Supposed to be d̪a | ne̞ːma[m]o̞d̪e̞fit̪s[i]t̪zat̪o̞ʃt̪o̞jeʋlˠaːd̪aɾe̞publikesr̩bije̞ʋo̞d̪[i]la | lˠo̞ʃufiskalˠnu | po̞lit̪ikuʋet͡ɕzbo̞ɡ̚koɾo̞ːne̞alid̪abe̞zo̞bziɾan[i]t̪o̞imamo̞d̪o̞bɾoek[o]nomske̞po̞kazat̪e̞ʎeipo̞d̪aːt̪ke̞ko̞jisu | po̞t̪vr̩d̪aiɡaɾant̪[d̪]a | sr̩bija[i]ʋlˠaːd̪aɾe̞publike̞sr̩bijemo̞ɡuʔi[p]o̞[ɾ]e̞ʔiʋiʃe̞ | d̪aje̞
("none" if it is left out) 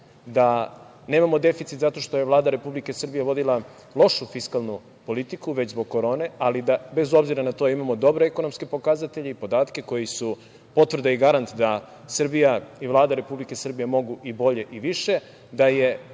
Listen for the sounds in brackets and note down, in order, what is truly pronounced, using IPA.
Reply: m, i, i, a, o, d̪, i, b, ʎ

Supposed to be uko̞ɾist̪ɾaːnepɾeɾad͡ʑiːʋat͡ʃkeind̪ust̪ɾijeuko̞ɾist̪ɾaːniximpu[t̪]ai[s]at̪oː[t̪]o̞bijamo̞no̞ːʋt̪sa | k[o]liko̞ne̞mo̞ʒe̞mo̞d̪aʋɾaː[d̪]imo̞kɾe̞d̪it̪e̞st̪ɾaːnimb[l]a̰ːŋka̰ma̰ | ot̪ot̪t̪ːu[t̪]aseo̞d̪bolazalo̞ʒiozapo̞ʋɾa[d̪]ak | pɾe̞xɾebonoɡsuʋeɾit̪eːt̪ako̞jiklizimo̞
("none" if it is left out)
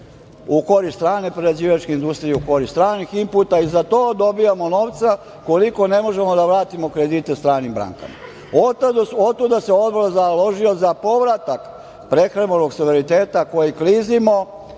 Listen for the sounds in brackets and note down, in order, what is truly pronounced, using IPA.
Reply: t̪, z, d̪, o, t̪, ɾ, d̪, t̪

